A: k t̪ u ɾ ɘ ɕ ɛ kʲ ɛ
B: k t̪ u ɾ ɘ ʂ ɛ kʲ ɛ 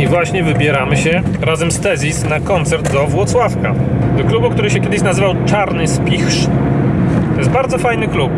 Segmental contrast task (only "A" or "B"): A